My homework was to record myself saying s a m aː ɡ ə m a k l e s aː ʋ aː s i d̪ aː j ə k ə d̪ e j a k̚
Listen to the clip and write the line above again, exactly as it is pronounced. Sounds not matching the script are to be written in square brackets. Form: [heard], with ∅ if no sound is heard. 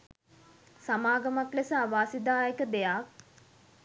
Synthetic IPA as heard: s a m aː ɡ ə m a k l e s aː ʋ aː s i d̪ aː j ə k ə d̪ e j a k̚